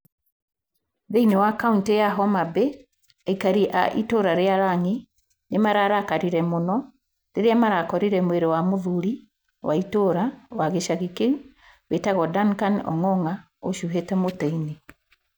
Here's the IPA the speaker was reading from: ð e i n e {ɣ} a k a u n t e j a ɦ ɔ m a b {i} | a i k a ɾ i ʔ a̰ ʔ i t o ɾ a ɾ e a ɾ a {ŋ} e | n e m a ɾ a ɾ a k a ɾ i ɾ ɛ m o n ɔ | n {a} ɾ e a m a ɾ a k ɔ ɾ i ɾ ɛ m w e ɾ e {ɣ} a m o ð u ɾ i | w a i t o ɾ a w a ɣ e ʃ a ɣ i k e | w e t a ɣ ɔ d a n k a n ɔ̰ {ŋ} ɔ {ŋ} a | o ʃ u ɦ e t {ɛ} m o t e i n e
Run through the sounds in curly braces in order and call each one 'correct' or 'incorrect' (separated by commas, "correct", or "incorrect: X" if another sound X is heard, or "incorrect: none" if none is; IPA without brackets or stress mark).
incorrect: w, incorrect: e, correct, incorrect: e, incorrect: w, correct, correct, correct